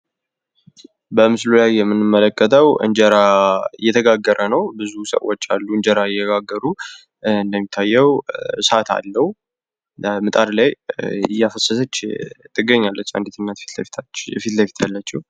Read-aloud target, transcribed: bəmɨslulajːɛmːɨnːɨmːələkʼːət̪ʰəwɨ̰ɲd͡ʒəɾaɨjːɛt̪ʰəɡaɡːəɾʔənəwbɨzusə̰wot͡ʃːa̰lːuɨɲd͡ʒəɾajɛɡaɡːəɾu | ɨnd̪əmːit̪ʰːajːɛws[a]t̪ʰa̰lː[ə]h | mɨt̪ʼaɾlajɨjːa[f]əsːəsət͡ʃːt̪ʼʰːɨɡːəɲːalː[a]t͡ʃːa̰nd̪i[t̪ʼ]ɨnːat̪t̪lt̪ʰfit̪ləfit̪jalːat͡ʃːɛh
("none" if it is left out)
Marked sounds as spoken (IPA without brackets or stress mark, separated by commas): a, ə, f, ə, t̪